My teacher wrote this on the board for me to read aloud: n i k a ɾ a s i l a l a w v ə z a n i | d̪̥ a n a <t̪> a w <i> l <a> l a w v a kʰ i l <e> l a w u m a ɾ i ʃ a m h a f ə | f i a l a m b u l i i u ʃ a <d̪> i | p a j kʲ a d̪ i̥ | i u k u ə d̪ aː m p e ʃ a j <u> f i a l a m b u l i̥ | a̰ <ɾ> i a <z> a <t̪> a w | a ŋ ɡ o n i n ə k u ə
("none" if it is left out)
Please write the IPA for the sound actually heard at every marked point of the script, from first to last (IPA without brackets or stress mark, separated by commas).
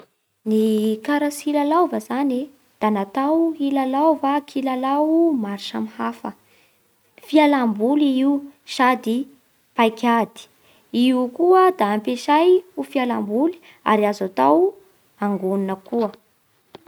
t̪, i, a, a, d̪, u, ɾ, z, t̪